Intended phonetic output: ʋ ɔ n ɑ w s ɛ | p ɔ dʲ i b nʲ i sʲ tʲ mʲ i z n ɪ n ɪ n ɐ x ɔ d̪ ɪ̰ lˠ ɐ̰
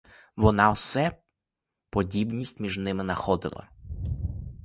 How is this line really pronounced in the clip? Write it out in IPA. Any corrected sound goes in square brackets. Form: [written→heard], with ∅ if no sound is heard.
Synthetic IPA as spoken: ʋ ɔ n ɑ w s ɛ | p ɔ dʲ i b nʲ i sʲ tʲ mʲ i [z→ʒ] n ɪ [n→m] ɪ n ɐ x ɔ d̪ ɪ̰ lˠ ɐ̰